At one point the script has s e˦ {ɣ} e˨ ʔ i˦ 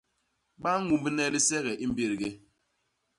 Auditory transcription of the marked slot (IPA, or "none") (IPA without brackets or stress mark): ɣ